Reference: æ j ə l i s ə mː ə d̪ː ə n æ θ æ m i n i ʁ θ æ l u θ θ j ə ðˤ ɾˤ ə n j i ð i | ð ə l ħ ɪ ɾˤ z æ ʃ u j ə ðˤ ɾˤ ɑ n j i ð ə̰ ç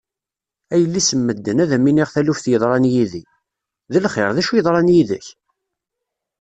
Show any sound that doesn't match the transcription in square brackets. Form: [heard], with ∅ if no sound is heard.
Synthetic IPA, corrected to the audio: æ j ə [lː] i s ə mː ə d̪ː ə n æ [ð] æ m i n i ʁ θ æ l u [f] θ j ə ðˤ ɾˤ [ɑ] n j i ð i | ð ə l [χ] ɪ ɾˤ [ð] æ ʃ u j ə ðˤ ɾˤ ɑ n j i ð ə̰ ç